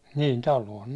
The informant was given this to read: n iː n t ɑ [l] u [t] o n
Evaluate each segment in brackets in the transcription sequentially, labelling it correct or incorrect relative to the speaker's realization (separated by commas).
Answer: correct, incorrect